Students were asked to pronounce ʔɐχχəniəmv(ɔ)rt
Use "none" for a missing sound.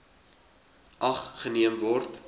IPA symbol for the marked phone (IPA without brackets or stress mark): ɔ